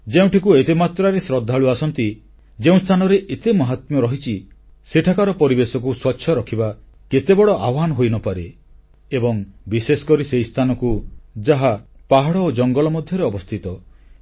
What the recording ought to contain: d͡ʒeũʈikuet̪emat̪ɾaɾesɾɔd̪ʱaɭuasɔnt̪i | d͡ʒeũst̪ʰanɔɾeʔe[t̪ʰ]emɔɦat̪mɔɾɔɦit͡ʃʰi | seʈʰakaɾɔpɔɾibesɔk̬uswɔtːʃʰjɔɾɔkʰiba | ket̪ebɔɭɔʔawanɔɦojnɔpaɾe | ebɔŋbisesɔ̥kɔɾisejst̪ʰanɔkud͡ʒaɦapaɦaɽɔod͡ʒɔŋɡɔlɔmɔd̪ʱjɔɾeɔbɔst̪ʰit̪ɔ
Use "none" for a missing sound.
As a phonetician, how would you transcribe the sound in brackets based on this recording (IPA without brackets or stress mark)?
t̪